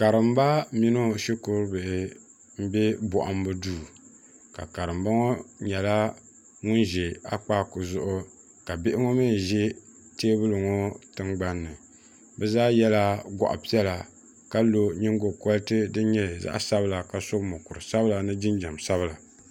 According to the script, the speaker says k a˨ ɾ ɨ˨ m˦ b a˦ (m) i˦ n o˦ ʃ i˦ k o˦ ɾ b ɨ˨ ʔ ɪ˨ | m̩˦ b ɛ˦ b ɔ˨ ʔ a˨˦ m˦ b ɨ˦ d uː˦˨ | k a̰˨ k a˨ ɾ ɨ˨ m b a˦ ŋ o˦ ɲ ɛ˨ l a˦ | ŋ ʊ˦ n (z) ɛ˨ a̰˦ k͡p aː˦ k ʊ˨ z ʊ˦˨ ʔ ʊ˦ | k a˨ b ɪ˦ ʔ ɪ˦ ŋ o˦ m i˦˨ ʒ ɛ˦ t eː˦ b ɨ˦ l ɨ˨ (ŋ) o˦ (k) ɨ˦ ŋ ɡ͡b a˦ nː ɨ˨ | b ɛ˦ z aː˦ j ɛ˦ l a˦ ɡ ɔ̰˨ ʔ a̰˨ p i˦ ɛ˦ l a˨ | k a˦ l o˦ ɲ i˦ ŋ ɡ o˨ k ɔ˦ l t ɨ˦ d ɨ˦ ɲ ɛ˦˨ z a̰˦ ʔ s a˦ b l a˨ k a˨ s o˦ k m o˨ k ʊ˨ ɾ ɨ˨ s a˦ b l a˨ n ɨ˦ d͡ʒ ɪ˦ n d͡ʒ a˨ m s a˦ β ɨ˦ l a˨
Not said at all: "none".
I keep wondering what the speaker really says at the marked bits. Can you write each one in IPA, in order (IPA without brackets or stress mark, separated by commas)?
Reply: m, ʒ, ŋ, t